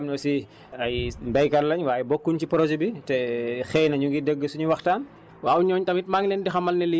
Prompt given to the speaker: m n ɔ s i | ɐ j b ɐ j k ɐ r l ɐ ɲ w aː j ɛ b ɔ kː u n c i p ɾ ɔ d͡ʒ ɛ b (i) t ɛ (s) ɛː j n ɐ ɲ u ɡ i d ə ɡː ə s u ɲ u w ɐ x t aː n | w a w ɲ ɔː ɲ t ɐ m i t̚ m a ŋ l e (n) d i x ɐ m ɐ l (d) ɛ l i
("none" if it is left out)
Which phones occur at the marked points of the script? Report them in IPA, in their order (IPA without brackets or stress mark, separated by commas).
i, x, n, n